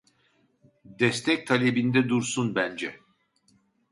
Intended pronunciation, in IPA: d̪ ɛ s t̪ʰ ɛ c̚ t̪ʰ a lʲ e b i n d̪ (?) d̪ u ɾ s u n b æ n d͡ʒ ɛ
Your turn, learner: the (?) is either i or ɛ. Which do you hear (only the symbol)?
ɛ